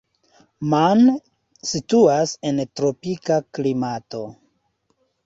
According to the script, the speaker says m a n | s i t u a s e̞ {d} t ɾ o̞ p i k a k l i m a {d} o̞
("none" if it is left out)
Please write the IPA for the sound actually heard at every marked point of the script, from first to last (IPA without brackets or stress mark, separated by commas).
n, t